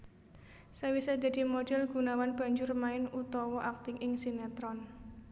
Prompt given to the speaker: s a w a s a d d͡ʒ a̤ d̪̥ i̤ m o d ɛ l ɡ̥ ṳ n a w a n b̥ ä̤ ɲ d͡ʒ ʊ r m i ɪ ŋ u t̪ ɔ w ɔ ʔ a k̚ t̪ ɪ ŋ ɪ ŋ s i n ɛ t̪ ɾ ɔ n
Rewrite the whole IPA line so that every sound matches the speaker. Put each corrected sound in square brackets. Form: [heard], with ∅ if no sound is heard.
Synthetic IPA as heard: s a w [i] s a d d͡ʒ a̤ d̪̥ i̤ m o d ɛ l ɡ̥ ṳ n a w a n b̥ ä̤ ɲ d͡ʒ ʊ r m [a] ɪ [n] u t̪ ɔ w ɔ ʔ a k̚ t̪ ɪ ŋ ɪ ŋ s i n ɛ t̪ ɾ ɔ n

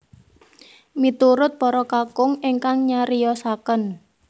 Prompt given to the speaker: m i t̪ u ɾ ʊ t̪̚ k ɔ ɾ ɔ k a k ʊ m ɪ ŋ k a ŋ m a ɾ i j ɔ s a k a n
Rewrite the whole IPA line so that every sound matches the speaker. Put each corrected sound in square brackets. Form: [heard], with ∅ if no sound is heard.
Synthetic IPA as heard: m i t̪ u ɾ ʊ t̪̚ [p] ɔ ɾ ɔ k a k ʊ [ŋ] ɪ ŋ k a ŋ [ɲ] a ɾ i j ɔ s a k [ə] n

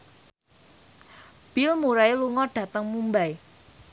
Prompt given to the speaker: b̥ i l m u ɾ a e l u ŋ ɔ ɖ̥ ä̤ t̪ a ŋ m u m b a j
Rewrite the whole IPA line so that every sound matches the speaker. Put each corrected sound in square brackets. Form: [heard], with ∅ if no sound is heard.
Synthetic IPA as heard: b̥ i l m u ɾ a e l u ŋ ɔ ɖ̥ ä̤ t̪ [ə] ŋ m u m b a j

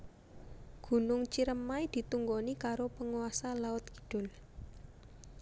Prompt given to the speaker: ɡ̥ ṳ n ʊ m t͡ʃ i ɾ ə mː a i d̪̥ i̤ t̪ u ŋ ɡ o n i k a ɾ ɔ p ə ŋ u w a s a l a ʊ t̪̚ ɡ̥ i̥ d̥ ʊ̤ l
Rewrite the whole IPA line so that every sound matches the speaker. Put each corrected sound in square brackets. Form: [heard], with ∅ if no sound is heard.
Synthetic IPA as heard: ɡ̥ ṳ n ʊ [ŋ] t͡ʃ i ɾ ə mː a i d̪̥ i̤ t̪ u ŋ ɡ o n i k a ɾ [o] p ə ŋ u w a s a l a ʊ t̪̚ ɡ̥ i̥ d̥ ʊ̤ l

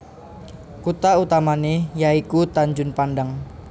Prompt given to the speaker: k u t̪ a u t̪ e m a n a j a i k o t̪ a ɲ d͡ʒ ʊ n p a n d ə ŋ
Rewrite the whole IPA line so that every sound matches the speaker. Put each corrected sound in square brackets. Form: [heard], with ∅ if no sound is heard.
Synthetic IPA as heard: k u t̪ a u t̪ [a] m a n [e] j a i k [u] t̪ a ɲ d͡ʒ ʊ n p a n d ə ŋ

